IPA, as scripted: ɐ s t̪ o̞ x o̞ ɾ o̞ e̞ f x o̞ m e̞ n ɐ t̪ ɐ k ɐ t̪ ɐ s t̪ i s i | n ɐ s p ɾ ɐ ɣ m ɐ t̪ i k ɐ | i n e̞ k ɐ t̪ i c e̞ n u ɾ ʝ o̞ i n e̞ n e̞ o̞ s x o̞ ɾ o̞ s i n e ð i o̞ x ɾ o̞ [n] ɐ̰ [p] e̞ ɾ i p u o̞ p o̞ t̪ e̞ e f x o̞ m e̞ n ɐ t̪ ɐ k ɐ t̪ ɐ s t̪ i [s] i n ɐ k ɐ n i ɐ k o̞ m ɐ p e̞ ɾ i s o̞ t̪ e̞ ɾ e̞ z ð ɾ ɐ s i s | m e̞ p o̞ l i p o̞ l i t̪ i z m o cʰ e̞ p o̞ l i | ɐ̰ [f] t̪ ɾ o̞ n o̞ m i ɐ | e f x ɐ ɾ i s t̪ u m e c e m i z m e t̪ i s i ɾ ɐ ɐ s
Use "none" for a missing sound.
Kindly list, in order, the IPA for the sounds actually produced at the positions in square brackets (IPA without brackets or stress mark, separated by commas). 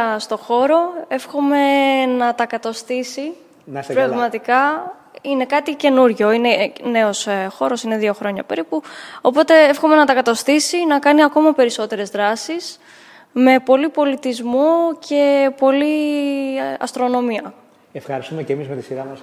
ɲ, p, s, s